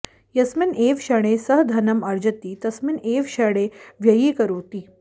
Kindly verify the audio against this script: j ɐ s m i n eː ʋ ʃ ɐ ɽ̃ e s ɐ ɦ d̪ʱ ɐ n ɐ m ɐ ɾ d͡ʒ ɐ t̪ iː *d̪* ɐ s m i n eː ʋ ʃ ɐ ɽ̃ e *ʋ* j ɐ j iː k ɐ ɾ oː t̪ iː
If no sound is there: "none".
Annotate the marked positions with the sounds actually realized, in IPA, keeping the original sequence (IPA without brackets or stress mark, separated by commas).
t̪, ʋ